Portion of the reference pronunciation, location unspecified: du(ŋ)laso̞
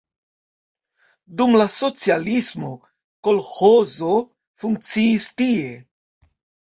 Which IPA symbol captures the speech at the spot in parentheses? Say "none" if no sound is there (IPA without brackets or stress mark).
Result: m